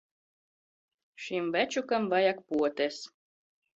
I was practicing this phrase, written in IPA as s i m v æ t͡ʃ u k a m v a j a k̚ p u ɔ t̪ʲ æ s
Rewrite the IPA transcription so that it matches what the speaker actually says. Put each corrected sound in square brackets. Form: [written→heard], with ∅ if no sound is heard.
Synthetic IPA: [s→ʃ] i m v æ t͡ʃ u k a m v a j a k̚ p u ɔ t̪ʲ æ s